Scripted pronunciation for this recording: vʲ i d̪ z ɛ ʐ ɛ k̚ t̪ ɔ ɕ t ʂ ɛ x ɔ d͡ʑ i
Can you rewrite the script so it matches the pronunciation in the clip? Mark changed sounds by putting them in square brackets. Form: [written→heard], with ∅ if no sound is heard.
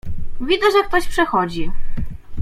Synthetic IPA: vʲ i d̪ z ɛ ʐ ɛ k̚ t̪ ɔ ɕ [t→p] ʂ ɛ x ɔ d͡ʑ i